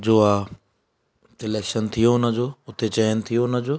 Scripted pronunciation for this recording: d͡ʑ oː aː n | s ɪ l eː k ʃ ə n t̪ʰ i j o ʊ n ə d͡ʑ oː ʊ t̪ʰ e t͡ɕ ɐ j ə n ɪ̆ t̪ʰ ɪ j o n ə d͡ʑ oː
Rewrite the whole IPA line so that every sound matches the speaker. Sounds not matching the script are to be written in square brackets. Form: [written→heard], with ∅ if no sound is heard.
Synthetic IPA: d͡ʑ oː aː [n→∅] | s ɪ l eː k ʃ ə n t̪ʰ i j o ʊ n ə d͡ʑ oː ʊ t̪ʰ e t͡ɕ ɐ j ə n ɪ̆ t̪ʰ [ɪ→i] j o n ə d͡ʑ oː